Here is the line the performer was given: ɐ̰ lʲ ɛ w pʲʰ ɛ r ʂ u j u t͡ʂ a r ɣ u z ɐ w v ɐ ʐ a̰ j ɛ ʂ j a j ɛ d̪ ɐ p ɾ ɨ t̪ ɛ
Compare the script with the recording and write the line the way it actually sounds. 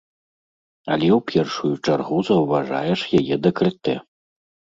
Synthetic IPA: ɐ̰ lʲ ɛ w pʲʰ ɛ r ʂ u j u t͡ʂ a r ɣ u z ɐ w v a ʐ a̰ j ɛ ʂ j a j ɛ d̪ ɐ k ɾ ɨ t̪ ɛ